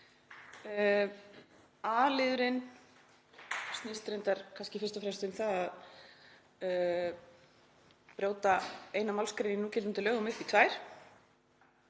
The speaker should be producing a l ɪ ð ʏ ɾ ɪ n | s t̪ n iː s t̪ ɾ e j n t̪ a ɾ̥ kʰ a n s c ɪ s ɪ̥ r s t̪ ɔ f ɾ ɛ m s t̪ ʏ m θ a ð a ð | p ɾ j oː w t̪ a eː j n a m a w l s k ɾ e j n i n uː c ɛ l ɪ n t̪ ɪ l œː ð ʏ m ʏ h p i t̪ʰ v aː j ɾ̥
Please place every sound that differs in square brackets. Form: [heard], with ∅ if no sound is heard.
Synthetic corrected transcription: a l ɪ ð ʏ ɾ ɪ n | s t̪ n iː s t̪ ɾ e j n t̪ a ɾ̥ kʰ a n s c ɪ [f] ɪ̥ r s t̪ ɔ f ɾ ɛ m s t̪ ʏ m θ a ð a ð | p ɾ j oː w t̪ a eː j n a m a w l s k ɾ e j n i n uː c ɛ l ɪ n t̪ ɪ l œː [ɣ] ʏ m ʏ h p i t̪ʰ v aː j ɾ̥

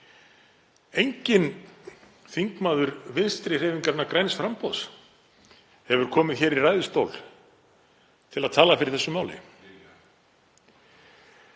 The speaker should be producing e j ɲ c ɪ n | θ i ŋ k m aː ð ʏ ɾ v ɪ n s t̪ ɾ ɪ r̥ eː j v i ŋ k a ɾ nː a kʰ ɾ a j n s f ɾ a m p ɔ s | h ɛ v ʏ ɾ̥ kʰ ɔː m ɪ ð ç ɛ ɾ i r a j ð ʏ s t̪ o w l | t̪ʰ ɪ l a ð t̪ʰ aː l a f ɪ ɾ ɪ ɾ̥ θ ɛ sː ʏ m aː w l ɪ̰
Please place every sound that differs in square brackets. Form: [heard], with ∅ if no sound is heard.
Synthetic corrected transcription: e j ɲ c ɪ n | θ i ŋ k m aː ð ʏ ɾ v ɪ n s t̪ ɾ ɪ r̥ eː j v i ŋ k a ɾ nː a [k] ɾ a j n s f ɾ a m p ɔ s | h ɛ v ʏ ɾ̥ kʰ ɔː m ɪ ð ç ɛ ɾ i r a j ð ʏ s t̪ o w l | t̪ʰ ɪ l a ð t̪ʰ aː l a f ɪ ɾ ɪ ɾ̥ θ ɛ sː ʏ m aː w l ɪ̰

